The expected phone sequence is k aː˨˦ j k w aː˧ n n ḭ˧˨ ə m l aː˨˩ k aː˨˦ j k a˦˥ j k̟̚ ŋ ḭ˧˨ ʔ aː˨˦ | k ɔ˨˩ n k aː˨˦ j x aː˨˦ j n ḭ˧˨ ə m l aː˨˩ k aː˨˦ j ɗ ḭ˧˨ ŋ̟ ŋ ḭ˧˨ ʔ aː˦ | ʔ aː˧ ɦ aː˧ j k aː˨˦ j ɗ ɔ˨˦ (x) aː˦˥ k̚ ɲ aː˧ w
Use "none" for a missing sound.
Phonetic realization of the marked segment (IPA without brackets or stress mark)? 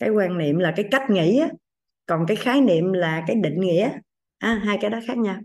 x